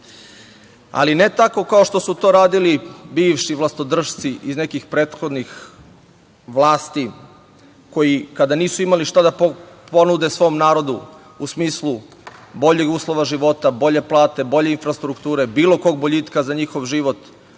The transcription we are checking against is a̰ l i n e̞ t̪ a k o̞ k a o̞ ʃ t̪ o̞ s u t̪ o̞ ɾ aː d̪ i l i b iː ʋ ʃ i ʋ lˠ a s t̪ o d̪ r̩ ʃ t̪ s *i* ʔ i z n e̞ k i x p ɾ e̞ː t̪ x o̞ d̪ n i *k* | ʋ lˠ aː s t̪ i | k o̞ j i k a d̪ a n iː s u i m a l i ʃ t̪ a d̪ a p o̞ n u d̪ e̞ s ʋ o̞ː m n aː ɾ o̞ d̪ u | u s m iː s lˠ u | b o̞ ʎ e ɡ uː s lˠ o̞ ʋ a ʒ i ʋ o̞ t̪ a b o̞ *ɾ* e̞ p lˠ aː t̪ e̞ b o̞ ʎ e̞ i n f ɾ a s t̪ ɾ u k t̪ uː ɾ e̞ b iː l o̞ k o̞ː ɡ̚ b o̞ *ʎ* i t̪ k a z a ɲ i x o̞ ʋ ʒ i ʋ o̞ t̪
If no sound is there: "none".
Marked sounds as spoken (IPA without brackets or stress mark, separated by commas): i, x, ʎ, ʎ